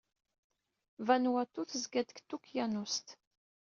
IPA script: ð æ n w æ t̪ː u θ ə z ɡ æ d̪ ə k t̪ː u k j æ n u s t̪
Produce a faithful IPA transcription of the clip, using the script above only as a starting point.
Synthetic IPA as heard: v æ n w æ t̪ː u θ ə z ɡ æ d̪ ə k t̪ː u k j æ n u s t̪